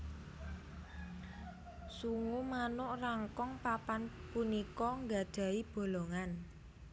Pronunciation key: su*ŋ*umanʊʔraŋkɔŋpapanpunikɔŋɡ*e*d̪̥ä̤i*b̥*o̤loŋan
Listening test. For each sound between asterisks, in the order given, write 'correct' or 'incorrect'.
correct, incorrect: a, correct

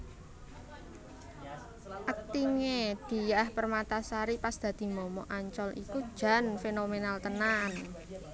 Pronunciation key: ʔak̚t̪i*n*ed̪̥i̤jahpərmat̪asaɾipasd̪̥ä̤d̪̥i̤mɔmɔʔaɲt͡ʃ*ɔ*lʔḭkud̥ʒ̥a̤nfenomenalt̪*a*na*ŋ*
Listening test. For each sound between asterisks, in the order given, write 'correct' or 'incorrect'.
incorrect: ŋ, correct, incorrect: ə, incorrect: n

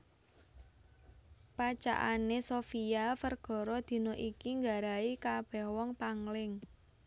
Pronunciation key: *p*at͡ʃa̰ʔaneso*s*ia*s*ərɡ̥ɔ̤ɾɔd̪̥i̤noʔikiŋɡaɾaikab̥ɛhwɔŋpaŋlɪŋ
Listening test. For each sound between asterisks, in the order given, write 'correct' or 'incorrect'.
correct, incorrect: f, incorrect: f

